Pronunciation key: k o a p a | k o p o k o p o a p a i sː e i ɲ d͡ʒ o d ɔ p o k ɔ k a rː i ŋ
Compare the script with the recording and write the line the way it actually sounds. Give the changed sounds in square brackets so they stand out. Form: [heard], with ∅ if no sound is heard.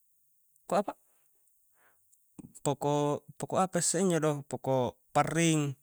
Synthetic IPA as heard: k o a p a | [p] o [k] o [p] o [k] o a p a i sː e i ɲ d͡ʒ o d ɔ p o k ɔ [p] a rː i ŋ